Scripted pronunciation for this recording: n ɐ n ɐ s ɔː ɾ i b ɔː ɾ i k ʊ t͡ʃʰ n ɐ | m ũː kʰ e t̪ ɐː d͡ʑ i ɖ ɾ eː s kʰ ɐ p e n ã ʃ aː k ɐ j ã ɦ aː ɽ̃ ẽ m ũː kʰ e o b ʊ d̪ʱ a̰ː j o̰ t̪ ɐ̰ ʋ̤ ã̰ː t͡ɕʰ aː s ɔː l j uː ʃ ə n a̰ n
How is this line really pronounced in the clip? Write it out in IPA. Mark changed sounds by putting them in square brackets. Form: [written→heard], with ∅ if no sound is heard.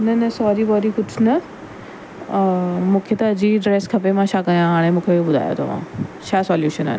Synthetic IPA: n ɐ n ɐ s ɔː ɾ i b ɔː ɾ i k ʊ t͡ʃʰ n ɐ | m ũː kʰ e t̪ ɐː d͡ʑ i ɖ ɾ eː s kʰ ɐ p e [n→m] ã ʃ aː k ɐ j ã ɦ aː ɽ̃ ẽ m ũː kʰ e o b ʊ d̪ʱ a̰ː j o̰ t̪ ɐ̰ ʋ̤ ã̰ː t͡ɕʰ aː s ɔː l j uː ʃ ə n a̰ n